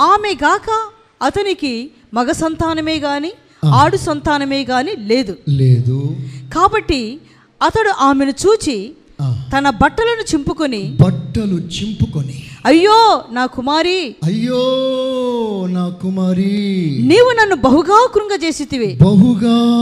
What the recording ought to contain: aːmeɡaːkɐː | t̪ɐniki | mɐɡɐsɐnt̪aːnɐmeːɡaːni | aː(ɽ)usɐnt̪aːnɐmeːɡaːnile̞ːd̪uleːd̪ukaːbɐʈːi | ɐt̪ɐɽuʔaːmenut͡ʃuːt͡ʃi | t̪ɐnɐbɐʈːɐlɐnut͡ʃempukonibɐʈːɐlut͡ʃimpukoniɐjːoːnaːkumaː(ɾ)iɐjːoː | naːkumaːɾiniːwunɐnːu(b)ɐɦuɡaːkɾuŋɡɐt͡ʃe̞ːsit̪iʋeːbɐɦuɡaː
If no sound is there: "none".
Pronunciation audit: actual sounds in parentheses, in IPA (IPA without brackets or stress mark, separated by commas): ɽ, ɾ, b